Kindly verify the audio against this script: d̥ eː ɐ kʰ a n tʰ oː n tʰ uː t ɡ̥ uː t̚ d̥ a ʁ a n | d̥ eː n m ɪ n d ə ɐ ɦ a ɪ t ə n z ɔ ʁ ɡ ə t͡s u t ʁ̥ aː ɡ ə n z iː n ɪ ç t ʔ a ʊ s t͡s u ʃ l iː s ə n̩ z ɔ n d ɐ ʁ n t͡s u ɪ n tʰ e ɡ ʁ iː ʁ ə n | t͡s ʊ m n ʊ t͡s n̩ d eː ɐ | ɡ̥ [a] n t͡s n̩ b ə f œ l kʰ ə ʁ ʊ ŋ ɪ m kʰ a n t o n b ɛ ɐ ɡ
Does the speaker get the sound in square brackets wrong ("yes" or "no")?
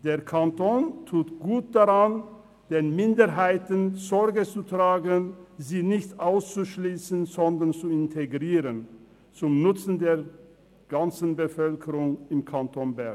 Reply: no